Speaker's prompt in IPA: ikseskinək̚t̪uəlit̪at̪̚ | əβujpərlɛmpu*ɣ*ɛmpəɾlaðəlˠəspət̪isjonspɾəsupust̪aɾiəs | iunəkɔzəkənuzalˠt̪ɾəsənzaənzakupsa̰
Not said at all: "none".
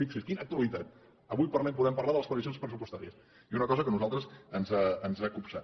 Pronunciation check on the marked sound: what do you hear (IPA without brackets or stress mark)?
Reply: ð